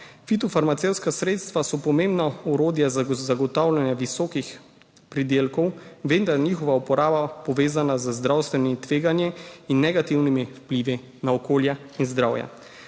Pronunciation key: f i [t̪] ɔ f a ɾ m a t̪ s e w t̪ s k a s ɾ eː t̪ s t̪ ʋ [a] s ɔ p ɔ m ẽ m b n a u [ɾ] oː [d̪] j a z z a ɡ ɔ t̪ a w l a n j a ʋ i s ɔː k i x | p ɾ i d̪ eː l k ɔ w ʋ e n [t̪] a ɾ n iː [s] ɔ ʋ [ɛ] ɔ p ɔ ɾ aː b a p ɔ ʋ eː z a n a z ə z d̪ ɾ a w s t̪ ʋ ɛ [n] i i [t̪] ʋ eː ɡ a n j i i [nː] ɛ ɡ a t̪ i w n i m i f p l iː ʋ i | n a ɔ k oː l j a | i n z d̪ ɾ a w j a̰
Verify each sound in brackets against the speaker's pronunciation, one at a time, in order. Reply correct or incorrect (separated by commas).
correct, correct, correct, correct, incorrect, incorrect, incorrect, correct, correct, correct